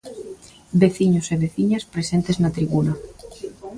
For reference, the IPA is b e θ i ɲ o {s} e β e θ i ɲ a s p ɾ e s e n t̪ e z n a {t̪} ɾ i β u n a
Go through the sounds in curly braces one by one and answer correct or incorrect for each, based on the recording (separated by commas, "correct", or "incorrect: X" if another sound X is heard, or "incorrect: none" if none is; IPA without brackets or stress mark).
correct, correct